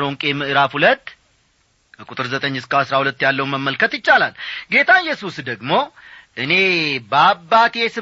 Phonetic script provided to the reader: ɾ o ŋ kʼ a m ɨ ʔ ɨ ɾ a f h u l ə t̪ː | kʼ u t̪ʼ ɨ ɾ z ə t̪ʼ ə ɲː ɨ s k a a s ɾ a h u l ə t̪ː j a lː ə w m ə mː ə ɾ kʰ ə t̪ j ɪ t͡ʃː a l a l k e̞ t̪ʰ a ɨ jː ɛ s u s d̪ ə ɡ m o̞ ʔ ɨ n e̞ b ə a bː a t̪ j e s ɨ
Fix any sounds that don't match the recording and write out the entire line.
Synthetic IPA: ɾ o ŋ kʼ e m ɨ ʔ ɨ ɾ a f h u l ə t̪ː | kʼ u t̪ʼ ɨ ɾ z ə t̪ʼ ə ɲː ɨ s k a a s ɾ a h u l ə t̪ː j a lː ə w m ə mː ə l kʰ ə t̪ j ɪ t͡ʃː a l a l ɡ e̞ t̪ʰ a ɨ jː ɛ s u s d̪ ə ɡ m o̞ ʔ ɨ n e̞ b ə a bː a t̪ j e s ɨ